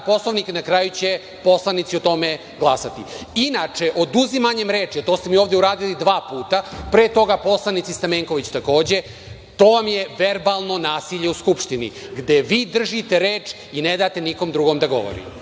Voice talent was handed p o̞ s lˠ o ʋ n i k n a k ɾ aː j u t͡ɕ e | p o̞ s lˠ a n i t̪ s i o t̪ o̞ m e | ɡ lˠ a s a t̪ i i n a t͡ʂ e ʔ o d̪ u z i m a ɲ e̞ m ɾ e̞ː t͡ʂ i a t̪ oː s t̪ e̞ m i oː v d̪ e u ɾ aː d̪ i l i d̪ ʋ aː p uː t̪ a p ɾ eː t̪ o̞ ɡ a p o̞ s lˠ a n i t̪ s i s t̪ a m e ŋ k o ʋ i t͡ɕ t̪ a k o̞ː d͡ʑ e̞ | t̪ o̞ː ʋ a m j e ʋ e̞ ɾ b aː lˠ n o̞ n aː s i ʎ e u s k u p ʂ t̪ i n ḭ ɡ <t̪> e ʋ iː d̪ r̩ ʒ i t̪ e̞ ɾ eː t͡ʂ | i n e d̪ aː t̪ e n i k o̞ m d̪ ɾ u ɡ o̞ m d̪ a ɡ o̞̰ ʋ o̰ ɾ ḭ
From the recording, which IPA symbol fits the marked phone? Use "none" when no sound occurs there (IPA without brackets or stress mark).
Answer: d̪